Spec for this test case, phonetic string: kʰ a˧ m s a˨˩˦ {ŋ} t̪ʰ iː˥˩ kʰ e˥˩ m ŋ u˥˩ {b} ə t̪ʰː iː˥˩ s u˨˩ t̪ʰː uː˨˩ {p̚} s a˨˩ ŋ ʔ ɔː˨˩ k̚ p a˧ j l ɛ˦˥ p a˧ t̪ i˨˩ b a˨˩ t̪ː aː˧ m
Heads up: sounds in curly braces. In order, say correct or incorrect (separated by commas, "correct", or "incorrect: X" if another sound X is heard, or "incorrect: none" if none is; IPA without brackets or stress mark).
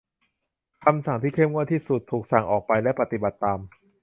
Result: correct, incorrect: none, incorrect: k̚